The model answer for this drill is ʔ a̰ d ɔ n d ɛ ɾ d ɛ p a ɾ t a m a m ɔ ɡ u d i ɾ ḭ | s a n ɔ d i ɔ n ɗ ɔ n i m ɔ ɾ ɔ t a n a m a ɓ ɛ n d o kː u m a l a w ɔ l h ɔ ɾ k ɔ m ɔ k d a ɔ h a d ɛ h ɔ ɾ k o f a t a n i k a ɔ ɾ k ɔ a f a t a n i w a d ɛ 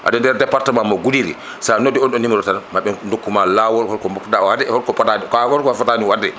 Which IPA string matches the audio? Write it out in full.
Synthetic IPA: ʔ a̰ d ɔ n d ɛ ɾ d ɛ p a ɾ t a m a m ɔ ɡ u d i ɾ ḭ | s a n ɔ d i ɔ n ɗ ɔ n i m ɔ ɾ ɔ t a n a m a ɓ ɛ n d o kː u m a l a w ɔ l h ɔ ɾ k ɔ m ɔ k d a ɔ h a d ɛ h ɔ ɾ k ɔ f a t a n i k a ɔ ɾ k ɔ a f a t a n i w a d ɛ